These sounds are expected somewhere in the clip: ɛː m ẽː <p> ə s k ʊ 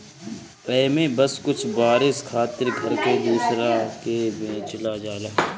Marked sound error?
yes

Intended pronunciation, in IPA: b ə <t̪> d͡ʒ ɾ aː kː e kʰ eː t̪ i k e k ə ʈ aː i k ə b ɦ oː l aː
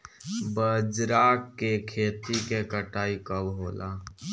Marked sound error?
yes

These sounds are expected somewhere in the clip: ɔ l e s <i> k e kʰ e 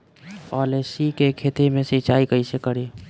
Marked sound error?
no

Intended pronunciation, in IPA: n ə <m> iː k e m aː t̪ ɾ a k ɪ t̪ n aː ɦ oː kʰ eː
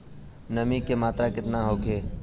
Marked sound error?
no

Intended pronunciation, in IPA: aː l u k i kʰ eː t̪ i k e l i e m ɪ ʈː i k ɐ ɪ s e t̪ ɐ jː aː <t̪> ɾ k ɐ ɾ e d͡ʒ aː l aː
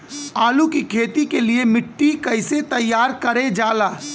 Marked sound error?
yes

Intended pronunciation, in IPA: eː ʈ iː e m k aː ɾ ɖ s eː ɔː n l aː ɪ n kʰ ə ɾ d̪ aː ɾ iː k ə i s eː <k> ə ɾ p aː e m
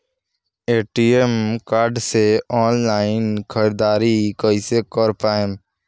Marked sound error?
no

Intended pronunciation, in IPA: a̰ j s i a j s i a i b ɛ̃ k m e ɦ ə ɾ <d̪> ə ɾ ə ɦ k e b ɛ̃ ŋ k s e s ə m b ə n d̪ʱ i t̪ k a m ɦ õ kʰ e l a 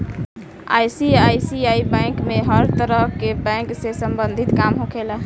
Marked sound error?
yes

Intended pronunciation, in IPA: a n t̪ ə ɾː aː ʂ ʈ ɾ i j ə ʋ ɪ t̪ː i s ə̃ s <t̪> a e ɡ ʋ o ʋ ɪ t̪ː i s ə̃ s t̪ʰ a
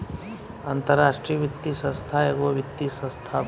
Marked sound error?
yes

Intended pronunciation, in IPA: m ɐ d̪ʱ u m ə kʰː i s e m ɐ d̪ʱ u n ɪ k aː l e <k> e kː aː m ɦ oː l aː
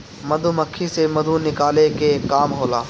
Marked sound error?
no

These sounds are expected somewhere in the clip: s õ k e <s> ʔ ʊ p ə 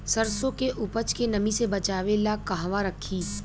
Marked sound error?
yes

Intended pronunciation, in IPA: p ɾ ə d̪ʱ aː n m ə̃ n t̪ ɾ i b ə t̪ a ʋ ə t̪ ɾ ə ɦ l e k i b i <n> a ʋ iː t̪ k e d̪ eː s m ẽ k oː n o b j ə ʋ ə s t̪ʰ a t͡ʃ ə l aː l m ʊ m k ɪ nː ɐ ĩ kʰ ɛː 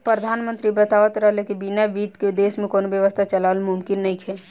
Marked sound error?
no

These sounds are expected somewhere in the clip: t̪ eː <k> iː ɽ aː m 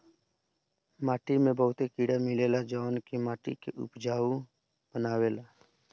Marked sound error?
no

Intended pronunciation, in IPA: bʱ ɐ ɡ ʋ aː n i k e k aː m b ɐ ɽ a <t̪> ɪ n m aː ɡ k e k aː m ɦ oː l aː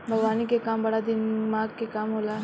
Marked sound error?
yes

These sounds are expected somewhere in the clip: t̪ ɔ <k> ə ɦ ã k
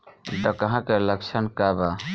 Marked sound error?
no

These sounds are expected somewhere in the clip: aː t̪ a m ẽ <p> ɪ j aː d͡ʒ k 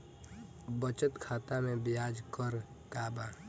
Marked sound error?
yes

